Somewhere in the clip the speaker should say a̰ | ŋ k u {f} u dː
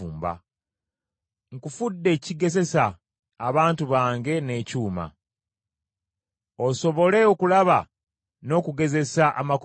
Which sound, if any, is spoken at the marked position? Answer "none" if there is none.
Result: f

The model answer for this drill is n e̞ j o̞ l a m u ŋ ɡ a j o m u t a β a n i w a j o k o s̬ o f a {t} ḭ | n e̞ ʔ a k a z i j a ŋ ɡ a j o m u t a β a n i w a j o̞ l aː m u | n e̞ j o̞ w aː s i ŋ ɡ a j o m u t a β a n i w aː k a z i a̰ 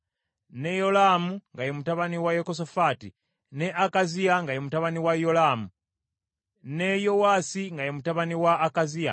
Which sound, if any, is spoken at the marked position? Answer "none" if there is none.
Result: t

